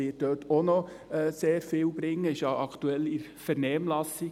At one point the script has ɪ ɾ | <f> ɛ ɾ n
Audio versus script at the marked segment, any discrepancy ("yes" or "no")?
no